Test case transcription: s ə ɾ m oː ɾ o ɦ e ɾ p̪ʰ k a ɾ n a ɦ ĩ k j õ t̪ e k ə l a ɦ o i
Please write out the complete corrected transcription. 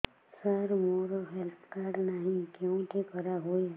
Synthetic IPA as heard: s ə ɾ m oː ɾ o ɦ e l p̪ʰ k a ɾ n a ɦ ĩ k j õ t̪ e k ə ɾ a ɦ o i